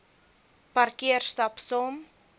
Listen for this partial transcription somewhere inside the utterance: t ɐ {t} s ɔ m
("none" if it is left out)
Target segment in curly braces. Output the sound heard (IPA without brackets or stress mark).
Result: p